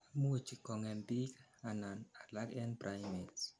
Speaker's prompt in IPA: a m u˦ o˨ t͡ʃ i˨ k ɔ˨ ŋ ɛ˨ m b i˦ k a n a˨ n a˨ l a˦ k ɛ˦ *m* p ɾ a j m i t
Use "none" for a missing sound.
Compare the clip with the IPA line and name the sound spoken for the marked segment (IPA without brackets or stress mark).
n